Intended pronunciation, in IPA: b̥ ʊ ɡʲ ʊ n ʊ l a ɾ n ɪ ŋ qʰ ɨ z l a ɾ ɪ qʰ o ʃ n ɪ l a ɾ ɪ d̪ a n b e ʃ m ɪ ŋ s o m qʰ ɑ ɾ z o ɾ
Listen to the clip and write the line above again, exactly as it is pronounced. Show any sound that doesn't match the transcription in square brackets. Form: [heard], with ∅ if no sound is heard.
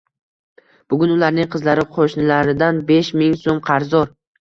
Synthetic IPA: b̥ ʊ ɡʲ ʊ n ʊ l a ɾ n ɪ ŋ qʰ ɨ z l a ɾ ɪ qʰ o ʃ n ɪ l a ɾ ɪ d̪ a n b e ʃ m ɪ ŋ s o m qʰ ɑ ɾ z [ɒ] ɾ